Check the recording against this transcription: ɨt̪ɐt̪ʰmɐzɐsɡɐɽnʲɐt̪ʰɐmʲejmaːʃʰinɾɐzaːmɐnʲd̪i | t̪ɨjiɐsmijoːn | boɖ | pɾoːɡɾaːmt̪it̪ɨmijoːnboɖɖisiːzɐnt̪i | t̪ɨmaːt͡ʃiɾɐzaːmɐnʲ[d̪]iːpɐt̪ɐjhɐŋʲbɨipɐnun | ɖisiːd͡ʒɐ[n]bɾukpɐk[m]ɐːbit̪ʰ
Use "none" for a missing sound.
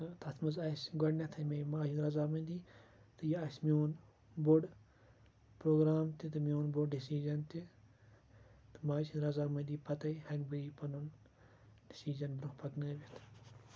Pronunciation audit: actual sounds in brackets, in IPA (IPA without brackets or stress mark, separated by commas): d̪, n, n